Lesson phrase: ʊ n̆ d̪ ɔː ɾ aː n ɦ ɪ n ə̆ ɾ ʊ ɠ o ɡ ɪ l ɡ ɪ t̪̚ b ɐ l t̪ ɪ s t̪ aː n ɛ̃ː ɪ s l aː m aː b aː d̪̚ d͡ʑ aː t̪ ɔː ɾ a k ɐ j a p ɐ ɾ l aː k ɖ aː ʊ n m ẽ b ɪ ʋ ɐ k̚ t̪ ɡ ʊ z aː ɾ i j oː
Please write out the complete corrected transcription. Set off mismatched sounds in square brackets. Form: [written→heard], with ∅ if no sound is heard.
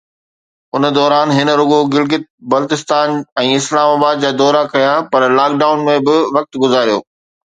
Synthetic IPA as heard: ʊ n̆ d̪ ɔː ɾ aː n ɦ ɪ n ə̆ ɾ ʊ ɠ o ɡ ɪ l ɡ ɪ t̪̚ b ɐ l t̪ ɪ s t̪ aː n ɛ̃ː ɪ s l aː m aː b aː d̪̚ d͡ʑ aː [t̪→d̪] ɔː ɾ a k ɐ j a p ɐ ɾ l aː k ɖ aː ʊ n m ẽ b ɪ ʋ ɐ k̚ t̪ ɡ ʊ z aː ɾ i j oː